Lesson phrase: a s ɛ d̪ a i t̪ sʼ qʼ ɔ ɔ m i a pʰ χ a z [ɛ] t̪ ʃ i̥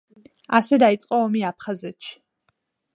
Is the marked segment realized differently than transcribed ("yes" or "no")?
no